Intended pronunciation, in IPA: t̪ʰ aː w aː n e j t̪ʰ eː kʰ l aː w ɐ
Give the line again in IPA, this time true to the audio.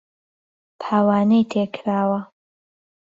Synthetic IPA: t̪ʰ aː w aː n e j t̪ʰ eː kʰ ɾ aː w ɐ

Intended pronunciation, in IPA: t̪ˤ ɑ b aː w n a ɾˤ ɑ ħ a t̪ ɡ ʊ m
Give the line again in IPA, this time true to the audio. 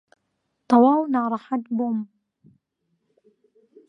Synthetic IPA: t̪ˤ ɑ w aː w n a ɾˤ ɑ ħ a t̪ b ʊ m

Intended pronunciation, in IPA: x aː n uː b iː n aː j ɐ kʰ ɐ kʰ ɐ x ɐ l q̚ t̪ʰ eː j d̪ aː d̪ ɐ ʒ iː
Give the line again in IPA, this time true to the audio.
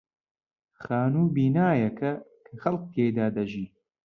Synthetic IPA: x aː n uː b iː n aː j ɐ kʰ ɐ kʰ ɐ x ɐ l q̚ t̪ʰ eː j d̪ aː d̪ ɐ ʒ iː

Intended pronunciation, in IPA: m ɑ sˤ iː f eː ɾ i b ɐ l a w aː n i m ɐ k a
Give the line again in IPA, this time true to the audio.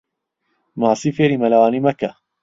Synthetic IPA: m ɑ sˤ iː f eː ɾ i m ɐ l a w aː n i m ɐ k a

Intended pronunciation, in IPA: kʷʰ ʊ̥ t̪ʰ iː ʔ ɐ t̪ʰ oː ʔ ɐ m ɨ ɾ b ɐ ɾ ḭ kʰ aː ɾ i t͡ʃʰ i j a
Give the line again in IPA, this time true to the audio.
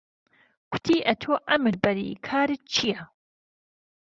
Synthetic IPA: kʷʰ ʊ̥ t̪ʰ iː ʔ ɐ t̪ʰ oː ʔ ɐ m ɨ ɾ b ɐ ɾ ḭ kʰ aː ɾ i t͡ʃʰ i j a

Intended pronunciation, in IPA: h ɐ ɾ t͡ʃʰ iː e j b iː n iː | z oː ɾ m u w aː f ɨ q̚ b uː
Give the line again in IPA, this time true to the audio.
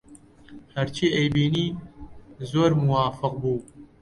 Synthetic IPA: h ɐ ɾ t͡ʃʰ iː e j b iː n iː | z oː ɾ m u w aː f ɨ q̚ b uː

